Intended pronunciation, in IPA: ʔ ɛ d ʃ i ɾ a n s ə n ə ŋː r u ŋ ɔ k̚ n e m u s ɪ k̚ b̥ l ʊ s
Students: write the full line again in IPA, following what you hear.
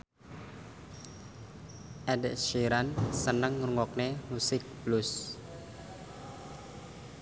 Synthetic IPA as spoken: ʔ ɛ d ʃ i ɾ a n s ə n ə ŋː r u ŋ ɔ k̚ n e m u s ɪ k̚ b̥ l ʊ s